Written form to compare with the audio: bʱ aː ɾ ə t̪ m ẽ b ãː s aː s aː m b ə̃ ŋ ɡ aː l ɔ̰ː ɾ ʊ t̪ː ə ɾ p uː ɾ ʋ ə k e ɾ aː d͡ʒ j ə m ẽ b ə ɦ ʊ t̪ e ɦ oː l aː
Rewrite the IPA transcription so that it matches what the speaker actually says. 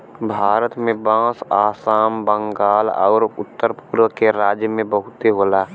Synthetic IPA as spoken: bʱ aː ɾ ə t̪ m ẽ b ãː s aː s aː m b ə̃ ŋ ɡ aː l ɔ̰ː ɾ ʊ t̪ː ə ɾ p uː ɾ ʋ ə k e ɾ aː d͡ʒ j ə m ẽ b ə ɦ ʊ t̪ e ɦ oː l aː